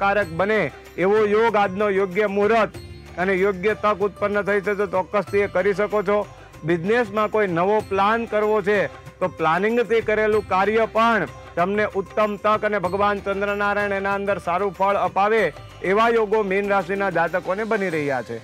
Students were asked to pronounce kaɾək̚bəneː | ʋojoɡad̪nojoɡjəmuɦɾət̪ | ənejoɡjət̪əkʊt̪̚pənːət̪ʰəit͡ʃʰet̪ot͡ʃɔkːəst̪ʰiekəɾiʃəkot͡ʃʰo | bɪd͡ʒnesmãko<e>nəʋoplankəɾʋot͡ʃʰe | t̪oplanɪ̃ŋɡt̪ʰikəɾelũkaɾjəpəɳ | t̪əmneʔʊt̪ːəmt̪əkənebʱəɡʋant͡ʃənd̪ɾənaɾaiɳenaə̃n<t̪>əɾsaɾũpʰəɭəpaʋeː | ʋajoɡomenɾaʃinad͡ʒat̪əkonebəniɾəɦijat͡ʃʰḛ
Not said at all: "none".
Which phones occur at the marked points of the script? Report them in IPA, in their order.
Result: i, d̪

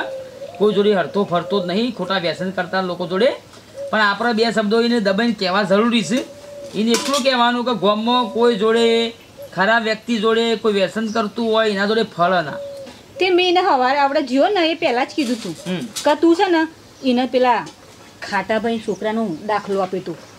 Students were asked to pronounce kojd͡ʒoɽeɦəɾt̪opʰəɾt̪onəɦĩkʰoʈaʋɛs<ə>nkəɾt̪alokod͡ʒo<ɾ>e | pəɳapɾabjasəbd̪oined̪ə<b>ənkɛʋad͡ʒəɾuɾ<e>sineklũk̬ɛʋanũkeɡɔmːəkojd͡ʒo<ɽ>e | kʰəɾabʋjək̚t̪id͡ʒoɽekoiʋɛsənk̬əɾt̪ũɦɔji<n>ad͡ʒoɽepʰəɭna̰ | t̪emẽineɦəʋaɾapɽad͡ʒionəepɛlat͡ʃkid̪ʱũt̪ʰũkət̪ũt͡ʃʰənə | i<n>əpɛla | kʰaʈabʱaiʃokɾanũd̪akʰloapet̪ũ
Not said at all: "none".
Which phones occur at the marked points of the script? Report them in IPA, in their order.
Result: ə, ɽ, b, i, ɽ, n, n

